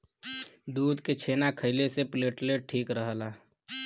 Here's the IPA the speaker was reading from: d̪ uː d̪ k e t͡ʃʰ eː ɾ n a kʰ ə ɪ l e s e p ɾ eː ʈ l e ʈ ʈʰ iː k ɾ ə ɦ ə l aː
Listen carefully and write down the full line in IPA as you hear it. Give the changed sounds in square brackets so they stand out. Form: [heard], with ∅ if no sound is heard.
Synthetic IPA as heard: d̪ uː d̪ k e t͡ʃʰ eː [∅] n a kʰ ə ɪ l e s e p [l] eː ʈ l e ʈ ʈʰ iː k ɾ ə ɦ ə l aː